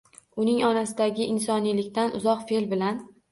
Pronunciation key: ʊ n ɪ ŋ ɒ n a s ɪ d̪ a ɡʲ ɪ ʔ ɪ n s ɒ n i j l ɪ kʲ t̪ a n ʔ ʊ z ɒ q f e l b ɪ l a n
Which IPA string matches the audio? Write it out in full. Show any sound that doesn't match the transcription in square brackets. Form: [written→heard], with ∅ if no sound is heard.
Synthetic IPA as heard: ʊ n ɪ ŋ ɒ n a s ɪ d̪ a ɡʲ ɪ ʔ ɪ n s ɒ n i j l ɪ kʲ t̪ a n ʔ ʊ z ɒ q f e l b ɪ l a n